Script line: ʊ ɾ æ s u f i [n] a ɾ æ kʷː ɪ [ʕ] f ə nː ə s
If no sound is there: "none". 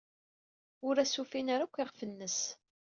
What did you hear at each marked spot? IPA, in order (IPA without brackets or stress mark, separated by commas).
n, ʁ